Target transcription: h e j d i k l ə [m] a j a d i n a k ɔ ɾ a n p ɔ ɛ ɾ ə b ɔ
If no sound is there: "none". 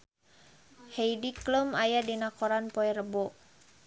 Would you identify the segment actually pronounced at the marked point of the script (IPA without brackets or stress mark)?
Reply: m